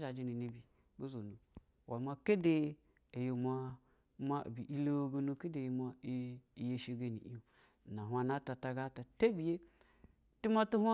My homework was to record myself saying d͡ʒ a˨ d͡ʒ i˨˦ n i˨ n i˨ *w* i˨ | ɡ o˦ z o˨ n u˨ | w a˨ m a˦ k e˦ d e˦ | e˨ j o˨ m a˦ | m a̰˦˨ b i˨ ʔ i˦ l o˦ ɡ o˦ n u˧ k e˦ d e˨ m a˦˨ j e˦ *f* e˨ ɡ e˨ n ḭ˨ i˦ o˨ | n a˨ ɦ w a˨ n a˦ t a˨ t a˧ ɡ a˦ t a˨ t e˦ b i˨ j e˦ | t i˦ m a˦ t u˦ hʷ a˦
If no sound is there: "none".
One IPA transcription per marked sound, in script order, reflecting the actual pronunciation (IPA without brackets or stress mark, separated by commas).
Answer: b, ʃ